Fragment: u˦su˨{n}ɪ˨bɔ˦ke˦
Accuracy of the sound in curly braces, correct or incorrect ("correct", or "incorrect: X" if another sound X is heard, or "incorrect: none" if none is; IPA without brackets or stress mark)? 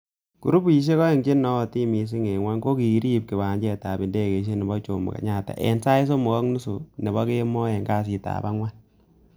correct